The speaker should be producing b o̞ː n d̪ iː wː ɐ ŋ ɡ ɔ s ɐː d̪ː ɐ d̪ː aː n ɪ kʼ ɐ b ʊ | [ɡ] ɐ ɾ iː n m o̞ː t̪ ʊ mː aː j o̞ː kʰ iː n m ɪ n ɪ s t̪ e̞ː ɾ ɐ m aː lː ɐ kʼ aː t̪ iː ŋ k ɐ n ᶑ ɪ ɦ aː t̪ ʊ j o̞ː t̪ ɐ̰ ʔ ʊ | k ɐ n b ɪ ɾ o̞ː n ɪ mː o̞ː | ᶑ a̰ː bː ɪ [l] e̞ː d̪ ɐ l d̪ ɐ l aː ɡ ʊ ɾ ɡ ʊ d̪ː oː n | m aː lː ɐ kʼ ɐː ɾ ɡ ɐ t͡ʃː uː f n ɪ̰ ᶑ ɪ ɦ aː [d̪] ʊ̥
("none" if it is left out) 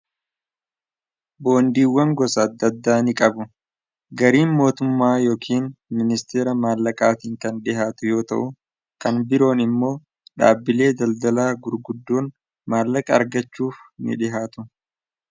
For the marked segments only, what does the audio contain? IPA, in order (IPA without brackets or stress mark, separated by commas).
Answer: ɡ, l, t̪